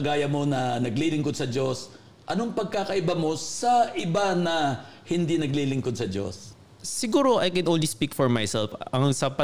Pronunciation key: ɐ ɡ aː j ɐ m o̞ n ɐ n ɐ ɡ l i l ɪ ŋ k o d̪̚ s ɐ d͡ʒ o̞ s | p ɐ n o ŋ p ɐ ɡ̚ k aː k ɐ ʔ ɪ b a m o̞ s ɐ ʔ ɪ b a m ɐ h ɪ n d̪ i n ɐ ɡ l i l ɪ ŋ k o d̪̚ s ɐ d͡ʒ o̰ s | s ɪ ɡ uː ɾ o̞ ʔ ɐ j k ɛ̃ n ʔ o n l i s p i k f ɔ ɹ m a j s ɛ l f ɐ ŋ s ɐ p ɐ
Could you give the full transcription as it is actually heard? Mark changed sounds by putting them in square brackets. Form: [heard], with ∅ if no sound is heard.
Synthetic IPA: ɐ ɡ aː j ɐ m o̞ n ɐ n ɐ ɡ l i l ɪ ŋ k o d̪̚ s ɐ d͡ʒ o̞ s | [ʔ] ɐ n o ŋ p ɐ ɡ̚ k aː k ɐ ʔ ɪ b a m o̞ s ɐ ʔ ɪ b a [n] ɐ h ɪ n d̪ i n ɐ ɡ l i l ɪ ŋ k o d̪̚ s ɐ d͡ʒ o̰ s | s ɪ ɡ uː ɾ o̞ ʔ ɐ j k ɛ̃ n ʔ o n l i s p i k f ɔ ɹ m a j s ɛ l f ɐ ŋ s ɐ p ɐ